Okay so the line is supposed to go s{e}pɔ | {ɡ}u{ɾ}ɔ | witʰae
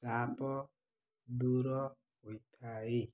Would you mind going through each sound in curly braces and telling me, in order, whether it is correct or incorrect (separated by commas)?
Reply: incorrect, incorrect, correct